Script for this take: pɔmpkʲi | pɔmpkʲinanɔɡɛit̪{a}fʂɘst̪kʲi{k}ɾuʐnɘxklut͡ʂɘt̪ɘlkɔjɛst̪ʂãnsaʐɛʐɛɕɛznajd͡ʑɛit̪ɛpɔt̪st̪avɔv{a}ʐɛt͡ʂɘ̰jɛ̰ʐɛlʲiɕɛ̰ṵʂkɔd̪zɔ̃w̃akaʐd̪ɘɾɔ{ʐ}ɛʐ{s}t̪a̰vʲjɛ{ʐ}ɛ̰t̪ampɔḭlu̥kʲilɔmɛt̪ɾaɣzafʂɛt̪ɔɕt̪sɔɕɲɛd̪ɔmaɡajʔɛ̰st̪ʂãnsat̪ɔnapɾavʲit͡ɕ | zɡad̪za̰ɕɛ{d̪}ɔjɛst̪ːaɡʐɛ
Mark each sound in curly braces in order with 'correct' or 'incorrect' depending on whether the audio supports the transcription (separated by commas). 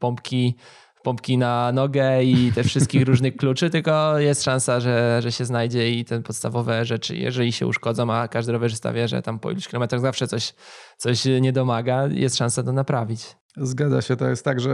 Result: incorrect, incorrect, incorrect, incorrect, correct, correct, incorrect